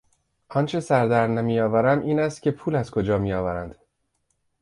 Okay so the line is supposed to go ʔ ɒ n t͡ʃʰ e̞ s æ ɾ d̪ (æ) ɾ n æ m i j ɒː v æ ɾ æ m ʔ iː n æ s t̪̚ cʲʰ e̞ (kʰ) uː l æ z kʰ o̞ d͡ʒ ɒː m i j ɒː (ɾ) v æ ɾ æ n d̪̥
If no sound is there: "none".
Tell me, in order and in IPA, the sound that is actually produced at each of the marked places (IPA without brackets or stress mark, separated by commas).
æ, pʰ, none